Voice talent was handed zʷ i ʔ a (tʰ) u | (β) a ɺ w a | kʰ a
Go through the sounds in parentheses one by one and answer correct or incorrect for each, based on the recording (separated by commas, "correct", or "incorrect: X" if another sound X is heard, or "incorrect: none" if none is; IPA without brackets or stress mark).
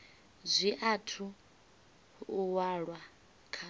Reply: correct, incorrect: w